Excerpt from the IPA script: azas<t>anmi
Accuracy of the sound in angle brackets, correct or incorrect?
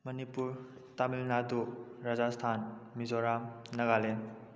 incorrect